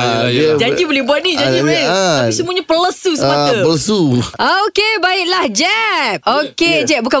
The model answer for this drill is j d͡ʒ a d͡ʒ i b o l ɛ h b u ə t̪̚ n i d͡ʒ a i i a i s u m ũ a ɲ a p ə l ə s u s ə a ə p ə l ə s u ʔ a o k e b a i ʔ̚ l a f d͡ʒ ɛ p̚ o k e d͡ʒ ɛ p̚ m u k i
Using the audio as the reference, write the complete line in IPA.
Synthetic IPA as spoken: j d͡ʒ a d͡ʒ i b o l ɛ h b u a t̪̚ n i d͡ʒ a i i a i s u m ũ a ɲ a p ə l ə s u s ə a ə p ə l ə s u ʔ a o k e b a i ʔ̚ l a h d͡ʒ ɛ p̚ o k e d͡ʒ ɛ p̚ b u k a